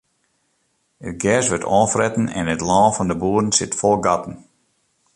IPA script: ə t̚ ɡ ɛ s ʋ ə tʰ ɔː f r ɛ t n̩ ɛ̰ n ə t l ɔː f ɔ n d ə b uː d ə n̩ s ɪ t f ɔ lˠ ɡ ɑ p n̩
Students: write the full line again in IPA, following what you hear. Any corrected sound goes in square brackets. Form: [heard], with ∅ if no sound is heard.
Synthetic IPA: ə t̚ ɡ ɛ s ʋ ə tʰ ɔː f r ɛ t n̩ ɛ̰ n ə t l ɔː f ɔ n d ə b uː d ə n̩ s ɪ t f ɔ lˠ ɡ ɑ [t] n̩